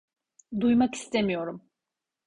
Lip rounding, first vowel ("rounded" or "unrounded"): rounded